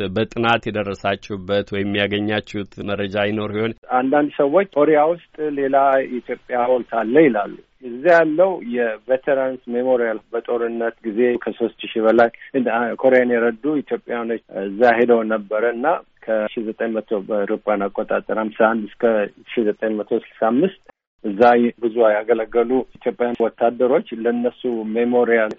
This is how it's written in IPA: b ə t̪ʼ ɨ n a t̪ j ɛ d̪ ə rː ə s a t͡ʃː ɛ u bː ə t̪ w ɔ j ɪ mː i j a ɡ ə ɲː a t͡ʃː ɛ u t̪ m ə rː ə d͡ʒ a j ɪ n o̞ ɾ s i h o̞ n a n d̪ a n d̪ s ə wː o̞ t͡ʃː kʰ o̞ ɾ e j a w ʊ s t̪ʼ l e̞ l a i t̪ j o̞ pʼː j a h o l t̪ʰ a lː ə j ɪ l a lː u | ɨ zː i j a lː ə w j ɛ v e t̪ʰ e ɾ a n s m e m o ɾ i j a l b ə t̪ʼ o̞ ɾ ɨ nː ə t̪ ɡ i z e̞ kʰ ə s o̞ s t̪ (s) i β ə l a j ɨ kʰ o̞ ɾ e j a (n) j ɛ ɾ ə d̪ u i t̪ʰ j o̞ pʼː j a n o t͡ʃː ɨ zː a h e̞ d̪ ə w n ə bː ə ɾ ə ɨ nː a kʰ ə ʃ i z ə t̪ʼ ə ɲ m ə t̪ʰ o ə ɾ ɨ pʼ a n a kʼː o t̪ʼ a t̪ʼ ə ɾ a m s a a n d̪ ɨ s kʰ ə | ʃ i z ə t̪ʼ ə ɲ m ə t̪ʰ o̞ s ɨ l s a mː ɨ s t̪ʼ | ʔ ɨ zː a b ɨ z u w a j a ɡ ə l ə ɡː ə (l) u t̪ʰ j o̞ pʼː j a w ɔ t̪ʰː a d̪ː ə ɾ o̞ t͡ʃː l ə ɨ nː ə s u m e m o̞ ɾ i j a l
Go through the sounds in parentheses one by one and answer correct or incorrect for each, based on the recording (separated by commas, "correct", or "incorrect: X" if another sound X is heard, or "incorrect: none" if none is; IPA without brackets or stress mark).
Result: incorrect: ʃ, correct, correct